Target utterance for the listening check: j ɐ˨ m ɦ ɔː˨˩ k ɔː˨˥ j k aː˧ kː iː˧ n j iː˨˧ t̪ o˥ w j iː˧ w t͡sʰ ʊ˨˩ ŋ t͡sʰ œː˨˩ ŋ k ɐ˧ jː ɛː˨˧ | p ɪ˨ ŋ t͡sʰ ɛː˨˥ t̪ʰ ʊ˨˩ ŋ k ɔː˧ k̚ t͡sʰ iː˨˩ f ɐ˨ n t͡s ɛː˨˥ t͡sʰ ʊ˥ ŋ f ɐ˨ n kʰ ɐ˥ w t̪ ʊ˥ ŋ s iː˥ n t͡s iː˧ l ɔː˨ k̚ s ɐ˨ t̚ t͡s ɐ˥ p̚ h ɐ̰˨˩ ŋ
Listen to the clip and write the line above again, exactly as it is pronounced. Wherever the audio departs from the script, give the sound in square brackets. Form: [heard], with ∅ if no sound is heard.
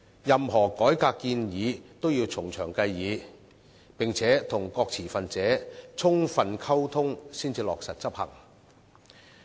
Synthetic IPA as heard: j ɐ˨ m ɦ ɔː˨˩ k ɔː˨˥ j k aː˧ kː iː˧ n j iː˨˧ t̪ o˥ w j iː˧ w t͡sʰ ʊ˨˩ ŋ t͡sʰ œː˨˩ ŋ k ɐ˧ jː [iː˨˧] | p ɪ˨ ŋ t͡sʰ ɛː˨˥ t̪ʰ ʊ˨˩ ŋ k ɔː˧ k̚ t͡sʰ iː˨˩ f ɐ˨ n t͡s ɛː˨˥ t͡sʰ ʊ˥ ŋ f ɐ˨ n kʰ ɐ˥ w [t̪ʰ] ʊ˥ ŋ s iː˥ n t͡s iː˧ l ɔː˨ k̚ s ɐ˨ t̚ t͡s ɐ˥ p̚ h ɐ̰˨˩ ŋ